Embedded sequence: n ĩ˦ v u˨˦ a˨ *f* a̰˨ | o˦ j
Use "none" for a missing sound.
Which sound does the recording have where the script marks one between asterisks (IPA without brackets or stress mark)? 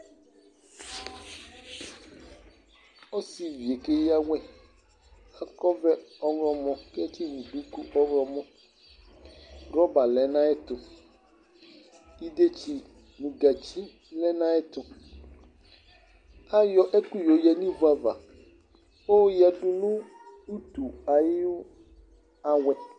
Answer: v